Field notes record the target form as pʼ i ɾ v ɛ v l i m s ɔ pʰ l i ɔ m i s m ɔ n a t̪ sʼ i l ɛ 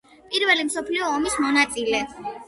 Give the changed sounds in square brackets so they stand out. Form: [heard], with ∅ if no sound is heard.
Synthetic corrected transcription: pʼ i ɾ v ɛ [∅] l i m s ɔ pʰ l i [ɔː] m i s m ɔ n a t̪ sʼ i l ɛ

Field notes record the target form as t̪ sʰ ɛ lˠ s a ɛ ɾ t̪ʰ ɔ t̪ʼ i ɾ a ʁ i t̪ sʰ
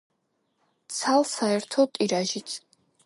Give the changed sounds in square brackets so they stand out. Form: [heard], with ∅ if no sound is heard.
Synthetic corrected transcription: t̪ sʰ [a] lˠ s a ɛ ɾ t̪ʰ ɔ t̪ʼ i ɾ a [ʒ] i t̪ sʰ

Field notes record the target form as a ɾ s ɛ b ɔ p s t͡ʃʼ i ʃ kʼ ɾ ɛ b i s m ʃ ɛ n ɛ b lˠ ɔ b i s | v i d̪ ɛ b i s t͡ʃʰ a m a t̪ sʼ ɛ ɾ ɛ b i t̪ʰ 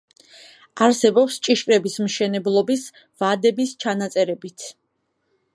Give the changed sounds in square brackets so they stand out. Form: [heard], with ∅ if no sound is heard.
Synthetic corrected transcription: a ɾ s ɛ b ɔ p s t͡ʃʼ i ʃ kʼ ɾ ɛ b i s m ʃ ɛ n ɛ b lˠ ɔ b i s | v [a] d̪ ɛ b i s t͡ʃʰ a [n] a t̪ sʼ ɛ ɾ ɛ b i t̪ʰ

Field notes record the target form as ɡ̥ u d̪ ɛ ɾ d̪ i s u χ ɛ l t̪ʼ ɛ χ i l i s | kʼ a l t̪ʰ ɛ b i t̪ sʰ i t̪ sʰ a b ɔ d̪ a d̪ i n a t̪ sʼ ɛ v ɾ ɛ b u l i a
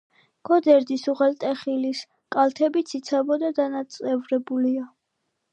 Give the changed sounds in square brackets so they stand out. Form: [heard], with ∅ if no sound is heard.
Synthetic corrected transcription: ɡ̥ [ɔ] d̪ ɛ ɾ d̪ i s u [ʁ] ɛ l t̪ʼ ɛ χ i l i s | kʼ a l t̪ʰ ɛ b i t̪ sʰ i t̪ sʰ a b ɔ d̪ a d̪ [a] n a t̪ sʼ ɛ v ɾ ɛ b u l i a

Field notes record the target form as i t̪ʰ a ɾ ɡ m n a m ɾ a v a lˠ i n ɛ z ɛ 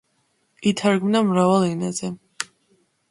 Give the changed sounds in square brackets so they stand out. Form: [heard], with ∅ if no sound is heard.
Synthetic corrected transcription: i t̪ʰ a ɾ ɡ m n a m ɾ a v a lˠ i n [a] z ɛ

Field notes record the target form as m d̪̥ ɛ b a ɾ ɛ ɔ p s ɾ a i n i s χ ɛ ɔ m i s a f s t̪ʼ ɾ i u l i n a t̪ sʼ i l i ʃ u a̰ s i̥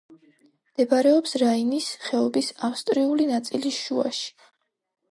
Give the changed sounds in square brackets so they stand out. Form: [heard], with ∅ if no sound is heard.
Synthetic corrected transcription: m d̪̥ ɛ b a ɾ ɛ ɔ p s ɾ a i n i s χ ɛ ɔ [b] i s a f s t̪ʼ ɾ i u l i n a t̪ sʼ i l i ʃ u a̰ [ʃ] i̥

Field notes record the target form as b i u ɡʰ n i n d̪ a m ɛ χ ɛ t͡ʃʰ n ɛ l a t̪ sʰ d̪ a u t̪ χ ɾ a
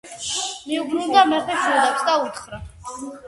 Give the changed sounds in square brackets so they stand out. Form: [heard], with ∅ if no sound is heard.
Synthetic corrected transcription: [m] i u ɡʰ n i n d̪ a m ɛ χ ɛ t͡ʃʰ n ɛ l a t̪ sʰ d̪ a u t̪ χ ɾ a

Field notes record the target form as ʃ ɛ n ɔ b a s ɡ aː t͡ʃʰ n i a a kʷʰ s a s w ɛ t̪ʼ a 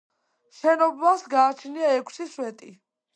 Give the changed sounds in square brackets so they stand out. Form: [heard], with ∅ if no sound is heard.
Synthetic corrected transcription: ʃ ɛ n ɔ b a s ɡ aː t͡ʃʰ n i a [ɛ] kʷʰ s [i] s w ɛ t̪ʼ [i]

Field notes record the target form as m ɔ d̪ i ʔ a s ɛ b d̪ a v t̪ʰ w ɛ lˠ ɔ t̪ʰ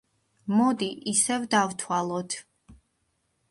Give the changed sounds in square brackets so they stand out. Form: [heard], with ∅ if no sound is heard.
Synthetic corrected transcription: m ɔ d̪ i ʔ [i] s ɛ [v] d̪ a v t̪ʰ w [a] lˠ ɔ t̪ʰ

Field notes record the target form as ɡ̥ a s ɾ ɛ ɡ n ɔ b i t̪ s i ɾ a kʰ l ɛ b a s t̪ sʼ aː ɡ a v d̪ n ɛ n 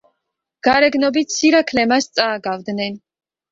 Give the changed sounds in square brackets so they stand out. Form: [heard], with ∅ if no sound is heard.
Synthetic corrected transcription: ɡ̥ a [∅] ɾ ɛ ɡ n ɔ b i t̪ s i ɾ a kʰ l ɛ [m] a s t̪ sʼ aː ɡ a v d̪ n ɛ n

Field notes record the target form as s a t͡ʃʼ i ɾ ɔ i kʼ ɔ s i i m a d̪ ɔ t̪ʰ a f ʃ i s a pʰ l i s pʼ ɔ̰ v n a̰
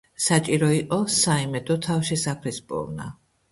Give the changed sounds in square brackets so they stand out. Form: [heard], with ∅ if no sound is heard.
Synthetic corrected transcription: s a t͡ʃʼ i ɾ ɔ i [qʼ] ɔ s [a] i m [ɛ] d̪ ɔ t̪ʰ a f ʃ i s a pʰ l i s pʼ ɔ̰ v n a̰

